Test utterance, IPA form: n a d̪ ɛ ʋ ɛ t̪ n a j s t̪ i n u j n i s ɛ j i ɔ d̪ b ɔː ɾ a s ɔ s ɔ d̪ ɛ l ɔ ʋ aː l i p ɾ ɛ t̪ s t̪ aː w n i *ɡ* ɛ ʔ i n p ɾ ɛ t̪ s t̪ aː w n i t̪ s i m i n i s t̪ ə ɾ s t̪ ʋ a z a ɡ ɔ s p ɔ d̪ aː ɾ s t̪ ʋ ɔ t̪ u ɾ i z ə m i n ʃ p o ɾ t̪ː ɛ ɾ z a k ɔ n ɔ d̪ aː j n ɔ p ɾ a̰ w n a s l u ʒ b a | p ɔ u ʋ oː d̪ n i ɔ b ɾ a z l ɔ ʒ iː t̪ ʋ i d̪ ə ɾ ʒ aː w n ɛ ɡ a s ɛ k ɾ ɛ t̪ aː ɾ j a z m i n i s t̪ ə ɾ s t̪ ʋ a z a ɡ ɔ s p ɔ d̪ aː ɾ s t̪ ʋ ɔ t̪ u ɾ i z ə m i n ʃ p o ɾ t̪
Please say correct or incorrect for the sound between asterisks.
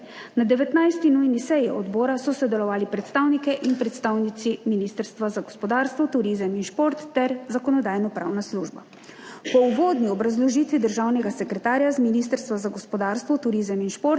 incorrect